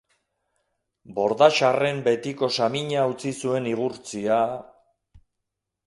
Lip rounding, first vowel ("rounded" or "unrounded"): rounded